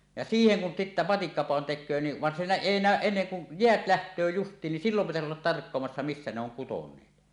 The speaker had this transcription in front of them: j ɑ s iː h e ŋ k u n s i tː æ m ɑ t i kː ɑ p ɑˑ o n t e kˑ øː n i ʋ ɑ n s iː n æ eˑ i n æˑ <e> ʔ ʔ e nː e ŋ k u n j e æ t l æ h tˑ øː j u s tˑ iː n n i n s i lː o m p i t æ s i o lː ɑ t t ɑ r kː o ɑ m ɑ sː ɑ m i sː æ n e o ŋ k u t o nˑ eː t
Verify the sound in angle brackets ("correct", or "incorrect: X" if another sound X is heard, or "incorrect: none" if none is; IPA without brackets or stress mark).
incorrect: ø